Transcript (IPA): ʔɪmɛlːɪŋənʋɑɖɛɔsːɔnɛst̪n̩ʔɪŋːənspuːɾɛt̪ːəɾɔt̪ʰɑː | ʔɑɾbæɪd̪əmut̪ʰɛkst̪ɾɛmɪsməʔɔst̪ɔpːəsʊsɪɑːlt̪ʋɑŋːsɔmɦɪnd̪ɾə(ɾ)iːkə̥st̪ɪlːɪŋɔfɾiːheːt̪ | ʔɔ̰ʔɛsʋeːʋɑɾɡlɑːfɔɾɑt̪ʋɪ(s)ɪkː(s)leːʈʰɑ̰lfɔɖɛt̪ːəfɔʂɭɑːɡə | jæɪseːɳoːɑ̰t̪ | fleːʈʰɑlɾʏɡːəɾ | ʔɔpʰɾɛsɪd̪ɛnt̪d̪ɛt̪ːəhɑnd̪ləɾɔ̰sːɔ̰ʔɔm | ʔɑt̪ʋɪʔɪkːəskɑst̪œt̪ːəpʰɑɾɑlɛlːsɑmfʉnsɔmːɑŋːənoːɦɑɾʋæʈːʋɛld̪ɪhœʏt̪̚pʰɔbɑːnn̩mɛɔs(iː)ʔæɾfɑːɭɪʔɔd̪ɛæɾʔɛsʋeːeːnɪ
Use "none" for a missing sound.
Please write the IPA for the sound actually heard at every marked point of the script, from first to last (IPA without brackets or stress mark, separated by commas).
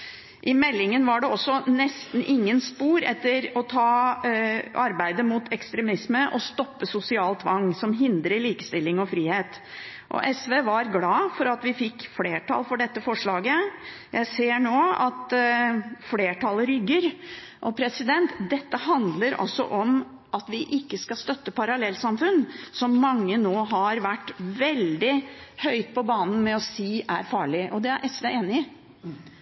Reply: ɭ, f, f, iː